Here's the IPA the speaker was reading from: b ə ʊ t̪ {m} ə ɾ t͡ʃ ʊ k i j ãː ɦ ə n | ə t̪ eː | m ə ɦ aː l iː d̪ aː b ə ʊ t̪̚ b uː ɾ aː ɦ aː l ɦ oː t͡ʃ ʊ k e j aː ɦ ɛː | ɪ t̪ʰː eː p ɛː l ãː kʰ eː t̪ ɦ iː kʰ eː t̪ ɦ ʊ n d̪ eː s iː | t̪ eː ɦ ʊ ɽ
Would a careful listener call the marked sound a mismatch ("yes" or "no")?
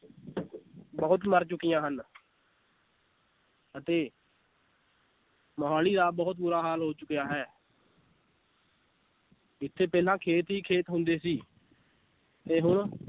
no